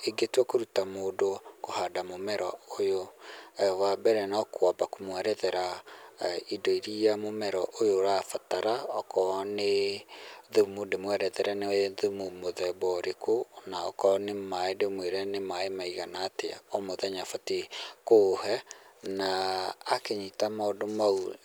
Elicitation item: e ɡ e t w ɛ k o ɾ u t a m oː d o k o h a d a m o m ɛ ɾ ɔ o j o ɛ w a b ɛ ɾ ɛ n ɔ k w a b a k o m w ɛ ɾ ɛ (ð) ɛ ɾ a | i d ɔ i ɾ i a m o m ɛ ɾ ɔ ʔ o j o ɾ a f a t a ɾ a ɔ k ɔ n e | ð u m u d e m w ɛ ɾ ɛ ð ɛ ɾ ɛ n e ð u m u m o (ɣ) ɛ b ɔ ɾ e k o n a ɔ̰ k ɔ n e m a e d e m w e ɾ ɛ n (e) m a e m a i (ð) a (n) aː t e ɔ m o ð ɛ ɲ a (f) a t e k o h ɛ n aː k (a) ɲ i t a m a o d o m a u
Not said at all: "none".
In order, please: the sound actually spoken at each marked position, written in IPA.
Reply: ð, ð, e, ɣ, n, f, e

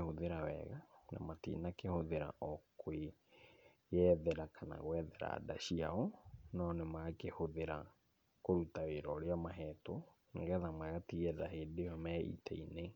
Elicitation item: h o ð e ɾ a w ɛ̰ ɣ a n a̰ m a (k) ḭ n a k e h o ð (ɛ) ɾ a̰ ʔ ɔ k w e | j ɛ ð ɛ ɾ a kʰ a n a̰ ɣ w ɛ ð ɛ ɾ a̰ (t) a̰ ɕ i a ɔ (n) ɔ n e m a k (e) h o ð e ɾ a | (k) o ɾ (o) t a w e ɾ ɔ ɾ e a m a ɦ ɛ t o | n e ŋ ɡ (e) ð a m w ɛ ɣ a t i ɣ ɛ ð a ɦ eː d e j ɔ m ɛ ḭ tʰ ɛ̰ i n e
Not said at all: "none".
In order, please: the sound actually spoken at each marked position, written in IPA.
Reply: t, e, d, n, e, k, u, ɛ

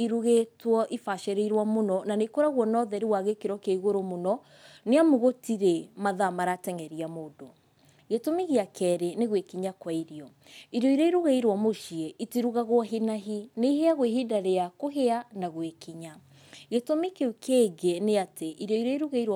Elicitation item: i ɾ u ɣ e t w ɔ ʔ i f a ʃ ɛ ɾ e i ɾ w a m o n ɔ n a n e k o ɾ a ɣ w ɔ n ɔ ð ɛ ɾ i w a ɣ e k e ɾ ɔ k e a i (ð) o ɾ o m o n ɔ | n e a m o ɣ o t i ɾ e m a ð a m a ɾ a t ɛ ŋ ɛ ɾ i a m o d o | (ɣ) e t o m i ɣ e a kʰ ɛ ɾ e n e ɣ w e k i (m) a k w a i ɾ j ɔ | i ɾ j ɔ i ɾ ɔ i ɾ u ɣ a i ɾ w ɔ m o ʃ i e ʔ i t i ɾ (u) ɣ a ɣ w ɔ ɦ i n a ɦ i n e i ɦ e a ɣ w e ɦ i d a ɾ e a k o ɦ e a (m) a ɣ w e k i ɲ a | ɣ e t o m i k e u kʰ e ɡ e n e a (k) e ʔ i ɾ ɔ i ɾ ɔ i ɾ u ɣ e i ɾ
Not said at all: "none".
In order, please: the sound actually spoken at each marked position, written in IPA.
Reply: ɣ, ɣ, ɲ, u, n, t

